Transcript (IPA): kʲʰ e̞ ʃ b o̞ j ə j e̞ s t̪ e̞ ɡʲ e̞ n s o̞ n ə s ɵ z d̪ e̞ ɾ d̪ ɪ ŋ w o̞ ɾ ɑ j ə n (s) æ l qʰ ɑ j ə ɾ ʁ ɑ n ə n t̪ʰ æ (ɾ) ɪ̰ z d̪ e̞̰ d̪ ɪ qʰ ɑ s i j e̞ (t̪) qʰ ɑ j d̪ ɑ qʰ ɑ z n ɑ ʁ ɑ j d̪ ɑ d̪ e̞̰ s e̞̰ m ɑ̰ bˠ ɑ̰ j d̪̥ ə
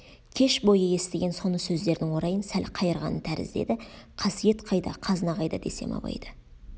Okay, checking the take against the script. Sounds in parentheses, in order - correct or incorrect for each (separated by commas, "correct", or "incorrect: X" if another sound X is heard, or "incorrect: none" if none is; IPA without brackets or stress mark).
correct, correct, correct